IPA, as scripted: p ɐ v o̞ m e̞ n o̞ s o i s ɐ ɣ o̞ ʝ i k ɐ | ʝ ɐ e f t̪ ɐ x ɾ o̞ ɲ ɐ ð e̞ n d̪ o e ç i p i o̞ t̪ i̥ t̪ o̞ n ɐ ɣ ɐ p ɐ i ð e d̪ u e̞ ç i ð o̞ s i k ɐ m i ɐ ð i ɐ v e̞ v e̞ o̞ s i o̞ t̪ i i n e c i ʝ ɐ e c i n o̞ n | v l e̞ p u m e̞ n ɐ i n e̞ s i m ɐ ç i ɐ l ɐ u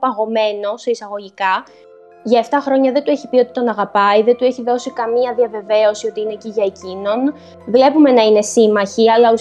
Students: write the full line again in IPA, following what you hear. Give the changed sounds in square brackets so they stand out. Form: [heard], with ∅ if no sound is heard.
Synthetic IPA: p ɐ [ɣ] o̞ m e̞ n o̞ s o i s ɐ ɣ o̞ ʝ i k ɐ | ʝ ɐ e f t̪ ɐ x ɾ o̞ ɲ ɐ ð e̞ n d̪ [u] e ç i p i o̞ t̪ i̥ t̪ o̞ n ɐ ɣ ɐ p ɐ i ð e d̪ u e̞ ç i ð o̞ s i k ɐ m i ɐ ð i ɐ v e̞ v e̞ o̞ s i o̞ t̪ i i n e c i ʝ ɐ e c i n o̞ n | v l e̞ p u m e̞ n ɐ i n e̞ s i m ɐ ç i ɐ l ɐ u